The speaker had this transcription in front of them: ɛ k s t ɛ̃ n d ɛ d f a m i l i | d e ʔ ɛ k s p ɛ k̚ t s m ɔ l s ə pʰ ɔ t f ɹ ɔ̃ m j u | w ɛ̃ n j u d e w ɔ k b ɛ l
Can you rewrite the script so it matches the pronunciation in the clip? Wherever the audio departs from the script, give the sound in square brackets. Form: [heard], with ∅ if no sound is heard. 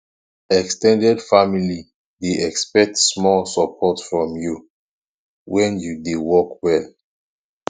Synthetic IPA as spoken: ɛ k s t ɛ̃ n d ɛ d f a m i l i | d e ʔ ɛ k s p ɛ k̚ t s m ɔ l s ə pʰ ɔ t f ɹ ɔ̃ m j u | w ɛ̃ n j u d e w ɔ k [w] ɛ l

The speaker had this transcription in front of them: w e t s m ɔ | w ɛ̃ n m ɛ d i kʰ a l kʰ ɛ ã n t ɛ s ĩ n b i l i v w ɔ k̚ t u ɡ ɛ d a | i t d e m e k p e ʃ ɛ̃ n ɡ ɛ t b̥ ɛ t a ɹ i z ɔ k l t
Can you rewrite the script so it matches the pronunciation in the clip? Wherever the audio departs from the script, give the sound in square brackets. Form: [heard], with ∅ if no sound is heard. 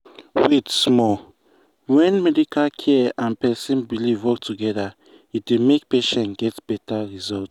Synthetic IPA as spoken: w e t s m ɔ | w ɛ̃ n m ɛ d i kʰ a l kʰ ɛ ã n [p] ɛ s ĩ n b i l i v w ɔ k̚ t u ɡ ɛ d a | i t d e m e k p e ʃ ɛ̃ n ɡ ɛ t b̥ ɛ t a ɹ i z ɔ [∅] l t

